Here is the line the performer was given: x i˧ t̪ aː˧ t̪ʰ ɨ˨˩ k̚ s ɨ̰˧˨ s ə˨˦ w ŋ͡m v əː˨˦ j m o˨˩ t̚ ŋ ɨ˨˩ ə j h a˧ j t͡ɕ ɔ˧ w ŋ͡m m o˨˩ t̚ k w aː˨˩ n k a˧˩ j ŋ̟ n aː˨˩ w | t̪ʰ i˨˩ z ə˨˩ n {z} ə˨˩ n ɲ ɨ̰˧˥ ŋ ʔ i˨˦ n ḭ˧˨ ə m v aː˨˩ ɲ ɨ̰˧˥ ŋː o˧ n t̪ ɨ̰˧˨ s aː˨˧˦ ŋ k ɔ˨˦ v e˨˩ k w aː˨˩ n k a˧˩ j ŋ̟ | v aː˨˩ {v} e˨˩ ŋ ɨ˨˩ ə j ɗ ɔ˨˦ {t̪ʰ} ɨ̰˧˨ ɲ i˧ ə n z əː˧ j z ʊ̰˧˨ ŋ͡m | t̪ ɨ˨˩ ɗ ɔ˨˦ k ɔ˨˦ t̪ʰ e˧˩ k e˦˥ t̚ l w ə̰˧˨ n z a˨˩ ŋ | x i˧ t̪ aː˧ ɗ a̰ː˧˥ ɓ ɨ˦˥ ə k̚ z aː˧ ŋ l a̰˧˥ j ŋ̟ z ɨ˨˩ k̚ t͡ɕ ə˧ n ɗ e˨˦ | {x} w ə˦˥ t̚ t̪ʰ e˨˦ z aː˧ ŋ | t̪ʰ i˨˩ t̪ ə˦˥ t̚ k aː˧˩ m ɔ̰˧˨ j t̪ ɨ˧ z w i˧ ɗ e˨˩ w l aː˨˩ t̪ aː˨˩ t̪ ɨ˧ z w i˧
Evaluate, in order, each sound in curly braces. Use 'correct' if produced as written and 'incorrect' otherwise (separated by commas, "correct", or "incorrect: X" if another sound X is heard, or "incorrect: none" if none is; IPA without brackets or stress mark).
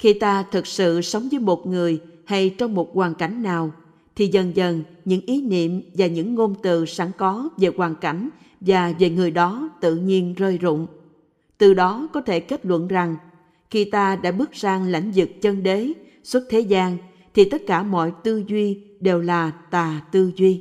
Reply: correct, correct, incorrect: t̪, incorrect: s